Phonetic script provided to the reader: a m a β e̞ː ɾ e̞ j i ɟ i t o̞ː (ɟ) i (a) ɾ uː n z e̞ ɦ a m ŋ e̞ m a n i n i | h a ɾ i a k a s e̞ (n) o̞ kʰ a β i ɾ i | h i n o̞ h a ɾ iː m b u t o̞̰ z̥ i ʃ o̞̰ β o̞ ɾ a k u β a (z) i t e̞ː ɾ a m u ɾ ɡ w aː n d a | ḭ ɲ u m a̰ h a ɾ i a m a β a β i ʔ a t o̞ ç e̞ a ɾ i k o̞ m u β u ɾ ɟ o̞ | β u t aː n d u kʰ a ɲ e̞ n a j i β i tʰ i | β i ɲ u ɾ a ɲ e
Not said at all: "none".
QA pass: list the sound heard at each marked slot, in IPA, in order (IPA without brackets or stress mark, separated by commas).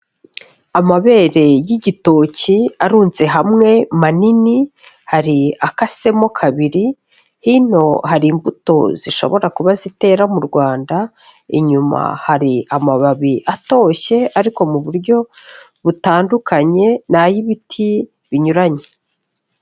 c, a, m, z